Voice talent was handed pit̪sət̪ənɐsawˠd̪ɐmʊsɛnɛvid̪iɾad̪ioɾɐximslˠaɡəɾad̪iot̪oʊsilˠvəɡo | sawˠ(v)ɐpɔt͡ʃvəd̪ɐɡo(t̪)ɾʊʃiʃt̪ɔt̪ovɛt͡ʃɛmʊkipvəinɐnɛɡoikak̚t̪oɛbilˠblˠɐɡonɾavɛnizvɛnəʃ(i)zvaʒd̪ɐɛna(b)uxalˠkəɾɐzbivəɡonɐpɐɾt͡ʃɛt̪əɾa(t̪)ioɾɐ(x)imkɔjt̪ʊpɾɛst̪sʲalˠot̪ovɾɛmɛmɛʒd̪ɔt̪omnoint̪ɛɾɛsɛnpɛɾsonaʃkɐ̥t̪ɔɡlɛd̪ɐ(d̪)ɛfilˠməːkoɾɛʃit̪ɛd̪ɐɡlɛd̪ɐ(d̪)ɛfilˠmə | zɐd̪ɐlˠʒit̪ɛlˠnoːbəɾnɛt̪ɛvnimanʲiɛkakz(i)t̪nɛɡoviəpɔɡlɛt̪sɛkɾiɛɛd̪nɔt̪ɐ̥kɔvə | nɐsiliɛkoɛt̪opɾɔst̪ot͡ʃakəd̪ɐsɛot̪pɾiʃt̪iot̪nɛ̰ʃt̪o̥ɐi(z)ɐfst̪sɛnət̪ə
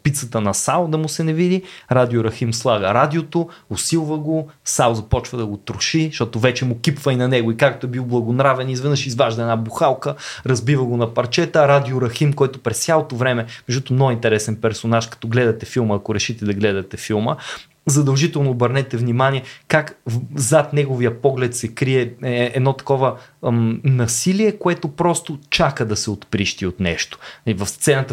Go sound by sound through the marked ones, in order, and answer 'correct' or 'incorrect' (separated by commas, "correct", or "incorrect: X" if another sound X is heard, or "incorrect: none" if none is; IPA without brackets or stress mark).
incorrect: z, correct, correct, correct, incorrect: d̪, correct, incorrect: t̪, incorrect: t̪, incorrect: a, incorrect: v